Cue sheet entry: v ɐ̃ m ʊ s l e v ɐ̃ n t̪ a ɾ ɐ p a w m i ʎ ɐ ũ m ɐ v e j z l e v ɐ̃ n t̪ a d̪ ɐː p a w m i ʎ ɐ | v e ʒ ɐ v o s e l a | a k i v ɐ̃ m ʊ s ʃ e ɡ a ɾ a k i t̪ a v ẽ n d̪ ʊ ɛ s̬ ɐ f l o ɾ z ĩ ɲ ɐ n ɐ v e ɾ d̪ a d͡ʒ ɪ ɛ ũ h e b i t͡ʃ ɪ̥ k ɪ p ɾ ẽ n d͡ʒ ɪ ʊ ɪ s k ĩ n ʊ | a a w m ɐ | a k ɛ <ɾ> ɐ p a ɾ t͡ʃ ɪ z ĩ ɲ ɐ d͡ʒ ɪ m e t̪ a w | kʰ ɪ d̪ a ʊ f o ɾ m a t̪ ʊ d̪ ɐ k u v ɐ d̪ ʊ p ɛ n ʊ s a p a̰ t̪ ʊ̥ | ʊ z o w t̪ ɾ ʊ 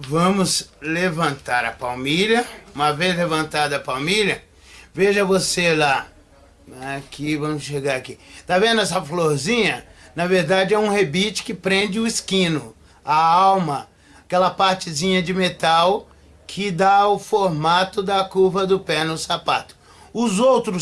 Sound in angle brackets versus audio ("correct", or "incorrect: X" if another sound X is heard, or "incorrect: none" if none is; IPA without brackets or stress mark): incorrect: l